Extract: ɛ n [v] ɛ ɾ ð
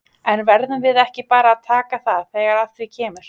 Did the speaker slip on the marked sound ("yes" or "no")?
no